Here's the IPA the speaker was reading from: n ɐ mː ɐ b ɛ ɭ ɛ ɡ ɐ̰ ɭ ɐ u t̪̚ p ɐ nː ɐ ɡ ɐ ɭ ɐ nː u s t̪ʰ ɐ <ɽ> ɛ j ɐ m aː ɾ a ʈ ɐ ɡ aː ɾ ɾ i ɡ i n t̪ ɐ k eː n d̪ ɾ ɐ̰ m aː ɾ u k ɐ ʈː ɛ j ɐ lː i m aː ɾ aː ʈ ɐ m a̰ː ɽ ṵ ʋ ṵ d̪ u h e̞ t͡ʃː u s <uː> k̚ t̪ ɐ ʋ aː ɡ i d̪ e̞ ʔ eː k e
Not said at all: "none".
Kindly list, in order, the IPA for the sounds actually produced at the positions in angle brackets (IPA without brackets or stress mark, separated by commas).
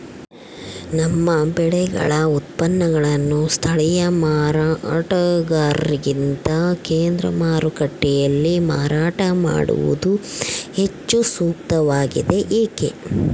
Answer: ɭ, uː